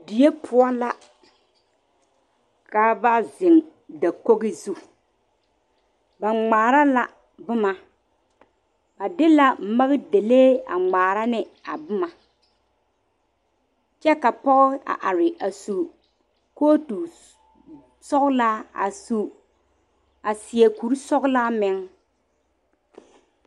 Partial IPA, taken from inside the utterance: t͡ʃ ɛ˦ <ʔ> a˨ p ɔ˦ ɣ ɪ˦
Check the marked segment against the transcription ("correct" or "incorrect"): incorrect